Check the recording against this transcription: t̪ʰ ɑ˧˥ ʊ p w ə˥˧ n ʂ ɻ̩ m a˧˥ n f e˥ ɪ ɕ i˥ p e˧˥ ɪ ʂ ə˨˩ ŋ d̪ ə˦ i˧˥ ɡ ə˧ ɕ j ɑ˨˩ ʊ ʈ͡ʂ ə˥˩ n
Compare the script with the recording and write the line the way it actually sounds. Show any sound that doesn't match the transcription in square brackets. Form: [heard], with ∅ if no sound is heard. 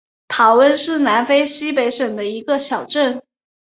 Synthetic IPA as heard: t̪ʰ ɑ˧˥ ʊ [∅] w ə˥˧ n ʂ ɻ̩ [n] a˧˥ n f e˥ ɪ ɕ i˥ p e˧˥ ɪ ʂ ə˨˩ ŋ d̪ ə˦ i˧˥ ɡ ə˧ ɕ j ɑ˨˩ ʊ ʈ͡ʂ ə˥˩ n